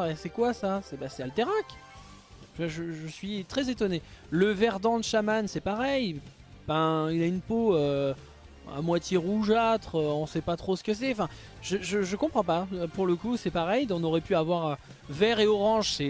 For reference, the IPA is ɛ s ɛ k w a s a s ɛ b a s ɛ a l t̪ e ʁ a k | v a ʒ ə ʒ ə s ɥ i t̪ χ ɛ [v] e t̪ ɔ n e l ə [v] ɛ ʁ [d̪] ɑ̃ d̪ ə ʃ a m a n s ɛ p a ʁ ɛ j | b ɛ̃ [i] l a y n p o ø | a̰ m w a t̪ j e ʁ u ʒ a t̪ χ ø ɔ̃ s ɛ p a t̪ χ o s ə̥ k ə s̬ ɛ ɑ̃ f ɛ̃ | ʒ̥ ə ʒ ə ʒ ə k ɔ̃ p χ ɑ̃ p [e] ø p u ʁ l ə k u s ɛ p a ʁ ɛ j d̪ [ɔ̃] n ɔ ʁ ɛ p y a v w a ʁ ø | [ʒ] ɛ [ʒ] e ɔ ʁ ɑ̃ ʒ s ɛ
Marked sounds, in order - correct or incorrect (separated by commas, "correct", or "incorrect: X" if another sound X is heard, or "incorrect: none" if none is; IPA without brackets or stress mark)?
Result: incorrect: z, correct, correct, correct, incorrect: a, correct, incorrect: v, incorrect: ʁ